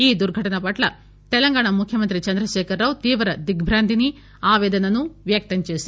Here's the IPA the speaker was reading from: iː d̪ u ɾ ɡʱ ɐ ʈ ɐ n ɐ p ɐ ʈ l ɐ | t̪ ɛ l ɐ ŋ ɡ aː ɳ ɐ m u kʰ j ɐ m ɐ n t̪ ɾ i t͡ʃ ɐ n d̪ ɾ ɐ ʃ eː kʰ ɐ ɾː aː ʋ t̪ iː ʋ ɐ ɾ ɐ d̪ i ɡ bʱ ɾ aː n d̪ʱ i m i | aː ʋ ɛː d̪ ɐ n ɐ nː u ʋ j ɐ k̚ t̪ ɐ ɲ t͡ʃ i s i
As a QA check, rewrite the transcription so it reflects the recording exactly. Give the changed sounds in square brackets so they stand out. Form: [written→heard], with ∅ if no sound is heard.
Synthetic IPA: iː d̪ u ɾ ɡʱ ɐ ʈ ɐ n ɐ p ɐ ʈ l ɐ | t̪ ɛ l ɐ ŋ ɡ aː ɳ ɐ m u kʰ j ɐ m ɐ n t̪ ɾ i t͡ʃ ɐ n d̪ ɾ ɐ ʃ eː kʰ ɐ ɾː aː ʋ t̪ iː ʋ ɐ ɾ ɐ d̪ i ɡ bʱ ɾ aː n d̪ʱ i [m→n] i | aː ʋ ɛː d̪ ɐ n ɐ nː u ʋ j ɐ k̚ t̪ ɐ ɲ t͡ʃ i s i